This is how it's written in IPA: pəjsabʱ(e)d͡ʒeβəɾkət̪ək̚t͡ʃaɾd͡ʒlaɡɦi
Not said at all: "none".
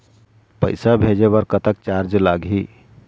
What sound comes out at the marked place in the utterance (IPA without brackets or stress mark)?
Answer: e